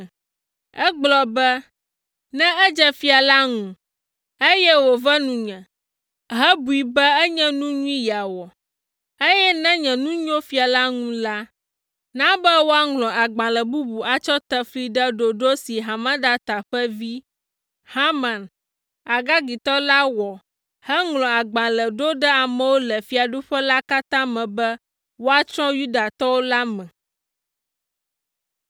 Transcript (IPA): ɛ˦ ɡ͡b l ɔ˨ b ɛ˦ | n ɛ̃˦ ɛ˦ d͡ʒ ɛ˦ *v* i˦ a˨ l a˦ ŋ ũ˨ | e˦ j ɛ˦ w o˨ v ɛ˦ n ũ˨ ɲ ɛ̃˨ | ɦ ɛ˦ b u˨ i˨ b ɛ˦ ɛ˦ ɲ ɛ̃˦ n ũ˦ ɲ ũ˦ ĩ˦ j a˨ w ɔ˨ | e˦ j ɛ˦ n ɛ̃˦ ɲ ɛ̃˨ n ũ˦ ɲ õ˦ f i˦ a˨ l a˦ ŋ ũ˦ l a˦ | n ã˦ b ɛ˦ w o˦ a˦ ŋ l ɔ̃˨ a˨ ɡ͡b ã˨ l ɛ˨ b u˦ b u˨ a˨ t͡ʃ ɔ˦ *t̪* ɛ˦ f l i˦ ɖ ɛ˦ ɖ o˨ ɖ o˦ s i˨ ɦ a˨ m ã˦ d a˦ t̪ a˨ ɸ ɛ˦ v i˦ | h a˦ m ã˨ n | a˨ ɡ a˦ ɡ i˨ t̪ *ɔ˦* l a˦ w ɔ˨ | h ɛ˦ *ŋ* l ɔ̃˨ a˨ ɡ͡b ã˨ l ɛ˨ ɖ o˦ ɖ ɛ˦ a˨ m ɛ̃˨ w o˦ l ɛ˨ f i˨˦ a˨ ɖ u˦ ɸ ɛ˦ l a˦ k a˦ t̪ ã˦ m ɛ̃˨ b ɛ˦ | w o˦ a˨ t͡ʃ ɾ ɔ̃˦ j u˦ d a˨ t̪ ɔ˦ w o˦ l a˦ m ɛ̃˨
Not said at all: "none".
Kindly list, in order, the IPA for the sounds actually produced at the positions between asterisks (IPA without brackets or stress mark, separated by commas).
f, t̪, ɔ˦, ŋ